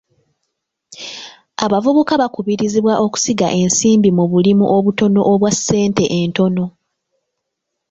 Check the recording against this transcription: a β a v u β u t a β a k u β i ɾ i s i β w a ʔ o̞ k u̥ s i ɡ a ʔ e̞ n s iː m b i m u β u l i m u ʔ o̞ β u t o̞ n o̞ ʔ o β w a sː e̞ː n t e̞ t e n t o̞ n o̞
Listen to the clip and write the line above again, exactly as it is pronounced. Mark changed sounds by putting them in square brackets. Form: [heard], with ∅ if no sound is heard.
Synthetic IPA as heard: a β a v u β u [k] a β a k u β i ɾ i [z] i β w a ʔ o̞ k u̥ s i ɡ a ʔ e̞ n s iː m b i m u β u l i m u ʔ o̞ β u t o̞ n o̞ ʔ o β w a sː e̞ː n t e̞ [ʔ] e n t o̞ n o̞